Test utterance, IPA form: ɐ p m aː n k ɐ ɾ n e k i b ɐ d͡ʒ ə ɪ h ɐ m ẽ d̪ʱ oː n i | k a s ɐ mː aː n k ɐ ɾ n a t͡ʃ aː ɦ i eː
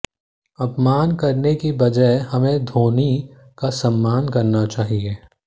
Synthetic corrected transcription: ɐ p m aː n k ɐ ɾ n e k i b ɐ d͡ʒ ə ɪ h ɐ m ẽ d̪ʱ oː n i | k a s ɐ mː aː n k ɐ ɾ n a t͡ʃ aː ɦ i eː